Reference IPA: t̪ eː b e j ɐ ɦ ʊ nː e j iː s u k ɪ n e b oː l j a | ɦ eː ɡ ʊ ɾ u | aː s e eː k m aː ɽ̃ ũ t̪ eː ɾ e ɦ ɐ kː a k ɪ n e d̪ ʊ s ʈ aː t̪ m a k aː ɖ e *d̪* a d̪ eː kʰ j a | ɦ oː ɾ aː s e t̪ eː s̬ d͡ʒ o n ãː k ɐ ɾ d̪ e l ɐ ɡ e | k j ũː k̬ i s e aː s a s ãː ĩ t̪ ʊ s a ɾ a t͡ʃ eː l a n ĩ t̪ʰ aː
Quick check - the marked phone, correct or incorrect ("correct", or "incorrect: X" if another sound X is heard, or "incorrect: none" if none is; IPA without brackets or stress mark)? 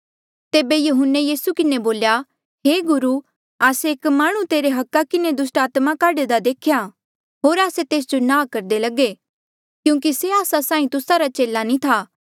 correct